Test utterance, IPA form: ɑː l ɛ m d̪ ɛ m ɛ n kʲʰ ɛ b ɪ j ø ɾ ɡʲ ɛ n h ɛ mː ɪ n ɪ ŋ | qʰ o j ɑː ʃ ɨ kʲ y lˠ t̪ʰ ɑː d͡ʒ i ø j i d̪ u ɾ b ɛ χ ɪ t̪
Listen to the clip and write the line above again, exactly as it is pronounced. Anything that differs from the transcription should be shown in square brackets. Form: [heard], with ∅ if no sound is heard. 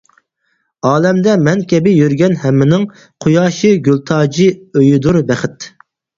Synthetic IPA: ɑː l ɛ m d̪ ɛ m ɛ n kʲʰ ɛ b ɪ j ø ɾ ɡʲ ɛ n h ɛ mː ɪ n ɪ ŋ | qʰ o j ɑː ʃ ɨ [ɡʲ] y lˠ t̪ʰ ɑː d͡ʒ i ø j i d̪ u ɾ b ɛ χ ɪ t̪